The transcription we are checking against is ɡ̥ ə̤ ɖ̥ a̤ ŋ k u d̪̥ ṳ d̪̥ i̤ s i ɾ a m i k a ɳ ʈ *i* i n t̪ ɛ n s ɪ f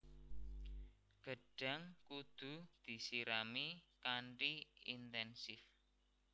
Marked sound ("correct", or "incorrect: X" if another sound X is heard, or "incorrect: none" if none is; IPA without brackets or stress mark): correct